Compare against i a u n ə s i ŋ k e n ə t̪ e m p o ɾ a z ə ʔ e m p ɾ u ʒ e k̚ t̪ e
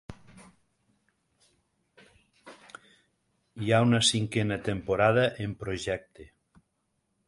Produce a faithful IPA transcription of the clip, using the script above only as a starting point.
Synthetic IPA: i a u n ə s i ŋ k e n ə t̪ e m p o ɾ a ð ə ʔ e m p ɾ o ʒ ɛ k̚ t̪ e